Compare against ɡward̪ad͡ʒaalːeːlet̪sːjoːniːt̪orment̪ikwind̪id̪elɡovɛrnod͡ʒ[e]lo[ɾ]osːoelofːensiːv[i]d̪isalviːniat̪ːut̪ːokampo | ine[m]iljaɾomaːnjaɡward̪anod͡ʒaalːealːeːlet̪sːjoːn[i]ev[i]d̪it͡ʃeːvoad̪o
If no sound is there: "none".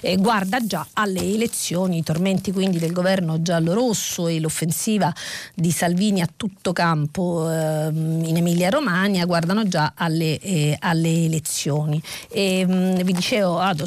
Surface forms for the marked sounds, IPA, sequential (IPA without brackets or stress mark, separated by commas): a, ɾ, a, m, i, i